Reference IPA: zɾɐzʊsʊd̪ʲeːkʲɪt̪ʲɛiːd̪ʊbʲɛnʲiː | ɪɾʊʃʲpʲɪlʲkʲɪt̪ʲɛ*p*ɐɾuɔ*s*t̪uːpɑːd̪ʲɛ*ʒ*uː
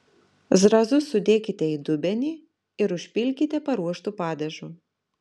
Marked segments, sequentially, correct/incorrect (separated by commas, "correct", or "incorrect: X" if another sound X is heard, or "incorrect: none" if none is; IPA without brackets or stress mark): correct, incorrect: ʃ, correct